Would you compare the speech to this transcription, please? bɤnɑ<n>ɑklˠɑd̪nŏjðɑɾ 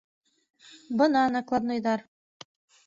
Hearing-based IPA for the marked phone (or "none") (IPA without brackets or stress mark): n